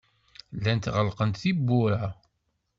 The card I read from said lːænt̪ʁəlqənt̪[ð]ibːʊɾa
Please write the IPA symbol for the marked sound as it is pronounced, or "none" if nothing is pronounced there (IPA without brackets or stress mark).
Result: θ